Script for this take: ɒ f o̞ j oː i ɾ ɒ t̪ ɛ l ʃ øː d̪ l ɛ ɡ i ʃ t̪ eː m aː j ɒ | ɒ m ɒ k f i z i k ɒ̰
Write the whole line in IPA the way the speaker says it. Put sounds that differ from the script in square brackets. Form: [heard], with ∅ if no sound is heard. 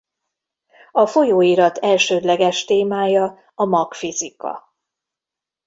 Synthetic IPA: ɒ f o̞ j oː i ɾ ɒ t̪ ɛ l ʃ øː d̪ l ɛ ɡ [ɛ] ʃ t̪ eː m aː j ɒ | ɒ m ɒ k f i z i k ɒ̰